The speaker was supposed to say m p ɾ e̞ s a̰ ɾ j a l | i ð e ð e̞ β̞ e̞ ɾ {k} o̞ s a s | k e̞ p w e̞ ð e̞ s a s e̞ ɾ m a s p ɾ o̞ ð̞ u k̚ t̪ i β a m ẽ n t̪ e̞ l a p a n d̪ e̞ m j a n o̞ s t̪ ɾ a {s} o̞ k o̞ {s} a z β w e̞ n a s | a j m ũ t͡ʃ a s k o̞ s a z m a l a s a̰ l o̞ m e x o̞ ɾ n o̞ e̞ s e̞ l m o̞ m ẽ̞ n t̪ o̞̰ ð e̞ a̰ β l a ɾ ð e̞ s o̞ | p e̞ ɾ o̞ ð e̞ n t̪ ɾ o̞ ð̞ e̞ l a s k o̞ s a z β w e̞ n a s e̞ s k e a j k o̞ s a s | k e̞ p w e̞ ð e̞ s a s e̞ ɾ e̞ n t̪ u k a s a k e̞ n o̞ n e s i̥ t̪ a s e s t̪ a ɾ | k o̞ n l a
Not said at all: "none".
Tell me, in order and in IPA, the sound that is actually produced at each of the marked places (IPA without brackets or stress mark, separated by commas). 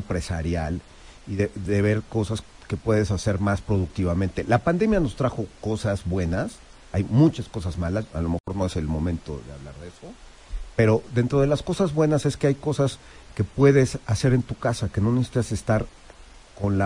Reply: k, x, s